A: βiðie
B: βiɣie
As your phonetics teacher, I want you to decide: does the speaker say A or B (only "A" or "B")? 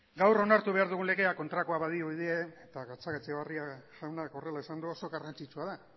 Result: A